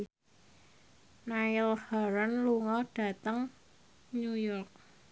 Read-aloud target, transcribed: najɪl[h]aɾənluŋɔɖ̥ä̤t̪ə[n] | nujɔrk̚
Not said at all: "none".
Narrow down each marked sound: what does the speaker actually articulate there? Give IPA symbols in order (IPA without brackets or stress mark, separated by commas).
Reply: h, ŋ